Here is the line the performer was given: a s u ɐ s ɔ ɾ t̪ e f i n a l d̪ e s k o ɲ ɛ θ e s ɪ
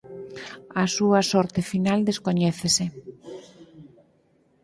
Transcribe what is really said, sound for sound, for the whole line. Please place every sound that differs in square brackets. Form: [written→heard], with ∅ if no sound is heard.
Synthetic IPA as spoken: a s u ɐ s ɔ ɾ t̪ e f i n a l d̪ e s k o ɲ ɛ θ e s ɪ